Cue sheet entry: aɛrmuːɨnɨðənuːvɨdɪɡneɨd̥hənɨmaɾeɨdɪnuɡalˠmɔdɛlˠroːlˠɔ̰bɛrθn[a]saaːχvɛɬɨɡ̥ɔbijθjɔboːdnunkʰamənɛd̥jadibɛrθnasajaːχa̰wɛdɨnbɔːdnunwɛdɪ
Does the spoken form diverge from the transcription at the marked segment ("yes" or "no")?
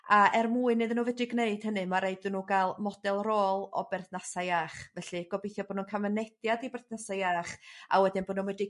no